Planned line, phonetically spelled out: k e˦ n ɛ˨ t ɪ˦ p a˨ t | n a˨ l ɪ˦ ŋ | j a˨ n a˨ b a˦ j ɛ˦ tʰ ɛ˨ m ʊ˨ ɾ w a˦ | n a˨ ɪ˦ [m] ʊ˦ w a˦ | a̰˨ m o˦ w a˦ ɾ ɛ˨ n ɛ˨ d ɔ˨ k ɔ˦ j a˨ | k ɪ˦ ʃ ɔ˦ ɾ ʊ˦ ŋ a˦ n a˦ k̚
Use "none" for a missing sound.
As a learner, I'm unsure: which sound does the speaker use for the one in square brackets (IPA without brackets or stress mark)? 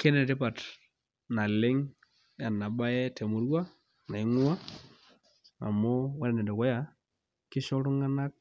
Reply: ŋ